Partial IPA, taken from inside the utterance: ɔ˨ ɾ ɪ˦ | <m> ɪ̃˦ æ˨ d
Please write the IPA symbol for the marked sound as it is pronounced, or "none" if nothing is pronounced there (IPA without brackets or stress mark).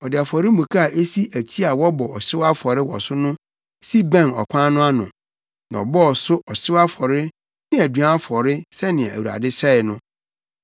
n